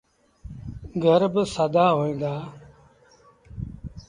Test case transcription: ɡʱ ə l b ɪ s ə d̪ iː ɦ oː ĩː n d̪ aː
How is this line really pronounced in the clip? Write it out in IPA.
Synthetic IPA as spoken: ɡʱ ə ɾ b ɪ s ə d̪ aː ɦ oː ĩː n d̪ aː

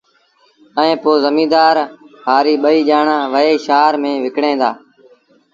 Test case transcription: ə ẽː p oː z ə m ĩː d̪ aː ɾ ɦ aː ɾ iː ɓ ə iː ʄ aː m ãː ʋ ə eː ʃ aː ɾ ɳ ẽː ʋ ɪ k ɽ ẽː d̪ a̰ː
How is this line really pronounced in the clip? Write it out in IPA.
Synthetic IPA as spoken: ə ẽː p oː z ə m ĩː d̪ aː ɾ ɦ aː ɾ iː ɓ ə iː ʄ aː ɳ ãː ʋ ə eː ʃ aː ɾ m ẽː ʋ ɪ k ɽ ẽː d̪ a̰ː

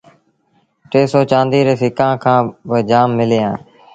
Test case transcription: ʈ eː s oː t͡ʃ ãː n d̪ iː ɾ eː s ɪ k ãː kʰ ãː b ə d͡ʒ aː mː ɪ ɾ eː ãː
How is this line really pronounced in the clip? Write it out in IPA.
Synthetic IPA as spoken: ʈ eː s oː t͡ʃ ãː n d̪ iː ɾ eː s ɪ k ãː kʰ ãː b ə d͡ʒ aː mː ɪ l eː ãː

